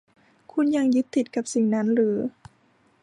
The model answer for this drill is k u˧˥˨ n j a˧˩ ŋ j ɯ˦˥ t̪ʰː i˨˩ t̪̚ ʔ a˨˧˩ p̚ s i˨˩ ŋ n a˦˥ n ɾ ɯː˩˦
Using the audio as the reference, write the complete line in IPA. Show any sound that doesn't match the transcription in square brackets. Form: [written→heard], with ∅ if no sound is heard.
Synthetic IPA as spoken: [k→kʰ] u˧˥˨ n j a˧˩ ŋ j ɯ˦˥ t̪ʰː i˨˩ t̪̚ [ʔ→k] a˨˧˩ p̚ s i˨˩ ŋ n a˦˥ n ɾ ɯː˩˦